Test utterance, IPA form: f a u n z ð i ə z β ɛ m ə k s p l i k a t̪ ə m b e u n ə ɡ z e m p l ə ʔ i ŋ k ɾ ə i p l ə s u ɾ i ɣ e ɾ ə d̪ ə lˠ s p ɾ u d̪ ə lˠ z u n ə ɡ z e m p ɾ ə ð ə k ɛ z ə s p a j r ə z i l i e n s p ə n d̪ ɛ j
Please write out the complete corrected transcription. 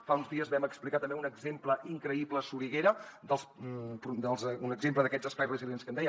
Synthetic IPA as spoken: f a u n z ð i ə z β ɛ m ə k s p l i k a t̪ ə m b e u n ə ɡ z e m p l ə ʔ i ŋ k ɾ ə i p l ə s u ɾ i ɣ e ɾ ə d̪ ə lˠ s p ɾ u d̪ ə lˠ z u n ə ɡ z e m p l ə ð ə k ɛ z ə s p a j r ə z i l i e n s k ə n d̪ ɛ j